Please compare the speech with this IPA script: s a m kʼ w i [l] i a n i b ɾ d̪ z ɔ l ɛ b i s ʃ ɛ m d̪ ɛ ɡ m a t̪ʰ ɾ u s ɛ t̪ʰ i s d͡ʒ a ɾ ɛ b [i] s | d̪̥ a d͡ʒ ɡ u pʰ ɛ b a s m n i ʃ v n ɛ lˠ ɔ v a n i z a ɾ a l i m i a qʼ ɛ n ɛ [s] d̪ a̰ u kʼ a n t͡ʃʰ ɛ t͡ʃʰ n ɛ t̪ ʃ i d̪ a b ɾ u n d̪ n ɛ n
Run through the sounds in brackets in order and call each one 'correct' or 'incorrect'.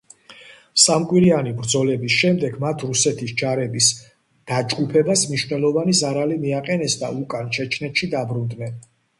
incorrect: ɾ, correct, correct

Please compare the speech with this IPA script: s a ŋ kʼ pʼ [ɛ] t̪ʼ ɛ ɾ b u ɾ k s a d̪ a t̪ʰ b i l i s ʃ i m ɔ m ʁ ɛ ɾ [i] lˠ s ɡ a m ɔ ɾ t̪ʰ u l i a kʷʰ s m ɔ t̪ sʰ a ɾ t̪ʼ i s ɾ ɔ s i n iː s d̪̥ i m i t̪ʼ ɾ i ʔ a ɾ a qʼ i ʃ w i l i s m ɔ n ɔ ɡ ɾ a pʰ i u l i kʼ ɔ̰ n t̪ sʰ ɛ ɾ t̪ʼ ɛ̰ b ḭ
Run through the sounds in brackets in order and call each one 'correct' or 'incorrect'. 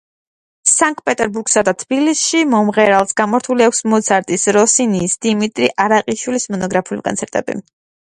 correct, incorrect: a

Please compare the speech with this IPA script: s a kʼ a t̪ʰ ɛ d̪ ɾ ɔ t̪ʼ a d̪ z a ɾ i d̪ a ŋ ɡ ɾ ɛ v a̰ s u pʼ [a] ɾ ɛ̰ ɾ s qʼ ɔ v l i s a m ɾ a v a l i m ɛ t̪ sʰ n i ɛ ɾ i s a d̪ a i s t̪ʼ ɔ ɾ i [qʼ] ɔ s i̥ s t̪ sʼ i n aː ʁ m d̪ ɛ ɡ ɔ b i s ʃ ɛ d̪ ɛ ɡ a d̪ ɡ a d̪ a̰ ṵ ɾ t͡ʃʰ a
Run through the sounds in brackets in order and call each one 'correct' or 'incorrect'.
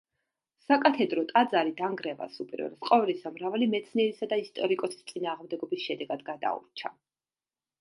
incorrect: i, incorrect: kʼ

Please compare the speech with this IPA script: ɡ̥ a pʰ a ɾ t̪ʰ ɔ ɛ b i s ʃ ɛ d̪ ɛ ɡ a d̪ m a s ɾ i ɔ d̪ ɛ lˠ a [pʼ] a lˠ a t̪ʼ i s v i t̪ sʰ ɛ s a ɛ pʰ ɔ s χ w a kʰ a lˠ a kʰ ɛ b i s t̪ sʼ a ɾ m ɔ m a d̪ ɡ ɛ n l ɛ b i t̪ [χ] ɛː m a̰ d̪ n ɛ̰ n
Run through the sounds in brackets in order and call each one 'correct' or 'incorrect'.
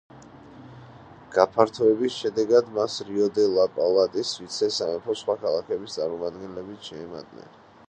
correct, incorrect: ʃ

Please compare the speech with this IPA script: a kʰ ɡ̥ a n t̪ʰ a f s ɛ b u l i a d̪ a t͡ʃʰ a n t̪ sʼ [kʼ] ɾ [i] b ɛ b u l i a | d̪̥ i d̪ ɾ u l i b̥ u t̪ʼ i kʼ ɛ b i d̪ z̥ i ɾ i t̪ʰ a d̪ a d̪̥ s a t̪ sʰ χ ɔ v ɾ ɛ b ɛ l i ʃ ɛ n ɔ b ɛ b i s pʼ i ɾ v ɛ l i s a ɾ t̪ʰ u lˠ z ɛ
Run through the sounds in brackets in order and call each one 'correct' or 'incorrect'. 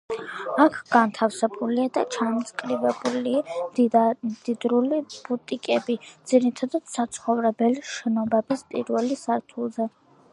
correct, correct

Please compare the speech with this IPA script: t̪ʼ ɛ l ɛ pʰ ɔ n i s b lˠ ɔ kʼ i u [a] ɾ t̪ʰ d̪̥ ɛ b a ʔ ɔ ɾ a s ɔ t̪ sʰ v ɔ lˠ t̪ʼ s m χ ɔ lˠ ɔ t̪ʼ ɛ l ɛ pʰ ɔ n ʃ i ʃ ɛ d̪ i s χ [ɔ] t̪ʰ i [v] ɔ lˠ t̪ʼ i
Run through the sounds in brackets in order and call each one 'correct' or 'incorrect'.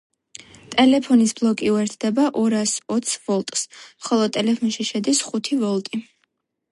incorrect: ɛ, incorrect: u, correct

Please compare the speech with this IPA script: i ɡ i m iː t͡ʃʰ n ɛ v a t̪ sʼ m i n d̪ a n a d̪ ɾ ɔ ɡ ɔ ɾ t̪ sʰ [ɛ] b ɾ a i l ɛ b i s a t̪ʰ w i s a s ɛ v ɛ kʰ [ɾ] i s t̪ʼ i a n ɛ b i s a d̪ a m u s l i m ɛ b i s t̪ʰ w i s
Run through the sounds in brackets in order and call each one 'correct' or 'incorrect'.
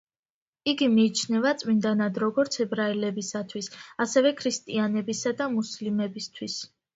correct, correct

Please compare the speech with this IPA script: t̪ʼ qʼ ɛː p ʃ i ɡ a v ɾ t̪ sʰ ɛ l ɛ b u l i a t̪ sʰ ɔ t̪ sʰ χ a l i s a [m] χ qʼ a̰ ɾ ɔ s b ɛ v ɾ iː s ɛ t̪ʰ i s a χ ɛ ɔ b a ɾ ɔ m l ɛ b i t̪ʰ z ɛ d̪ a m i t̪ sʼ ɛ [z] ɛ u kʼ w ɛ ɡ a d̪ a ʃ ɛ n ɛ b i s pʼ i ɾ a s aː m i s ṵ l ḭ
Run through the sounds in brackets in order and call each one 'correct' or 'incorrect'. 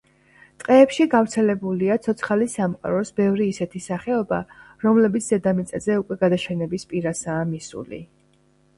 correct, correct

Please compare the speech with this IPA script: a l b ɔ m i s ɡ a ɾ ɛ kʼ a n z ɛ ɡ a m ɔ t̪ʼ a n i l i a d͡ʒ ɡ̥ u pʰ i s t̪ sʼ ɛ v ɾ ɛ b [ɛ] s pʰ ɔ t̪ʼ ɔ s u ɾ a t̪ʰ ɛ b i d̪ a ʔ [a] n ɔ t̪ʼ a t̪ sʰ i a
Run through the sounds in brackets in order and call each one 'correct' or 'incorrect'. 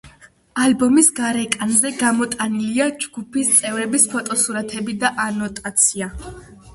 incorrect: i, correct

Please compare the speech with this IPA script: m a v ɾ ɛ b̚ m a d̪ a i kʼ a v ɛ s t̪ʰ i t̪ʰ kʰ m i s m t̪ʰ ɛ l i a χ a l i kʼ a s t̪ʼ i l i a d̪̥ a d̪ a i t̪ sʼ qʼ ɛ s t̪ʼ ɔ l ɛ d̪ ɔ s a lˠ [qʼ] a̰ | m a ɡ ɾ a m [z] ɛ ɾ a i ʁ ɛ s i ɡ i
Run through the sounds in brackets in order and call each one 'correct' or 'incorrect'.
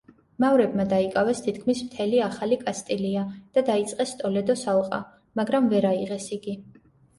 correct, incorrect: v

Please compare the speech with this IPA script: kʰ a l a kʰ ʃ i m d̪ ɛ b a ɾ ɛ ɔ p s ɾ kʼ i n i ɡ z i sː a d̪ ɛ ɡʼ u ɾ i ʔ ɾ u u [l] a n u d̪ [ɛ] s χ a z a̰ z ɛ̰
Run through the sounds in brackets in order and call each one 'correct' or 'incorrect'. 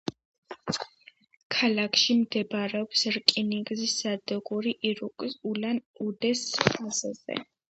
correct, correct

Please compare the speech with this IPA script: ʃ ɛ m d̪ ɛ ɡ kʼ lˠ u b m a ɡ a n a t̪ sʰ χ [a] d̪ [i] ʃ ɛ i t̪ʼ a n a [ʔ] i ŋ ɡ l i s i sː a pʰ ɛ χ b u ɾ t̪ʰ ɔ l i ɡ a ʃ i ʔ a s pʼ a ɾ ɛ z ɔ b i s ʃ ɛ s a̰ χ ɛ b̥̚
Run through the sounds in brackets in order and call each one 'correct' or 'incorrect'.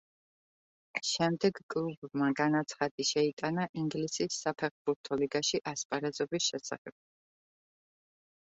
correct, correct, correct

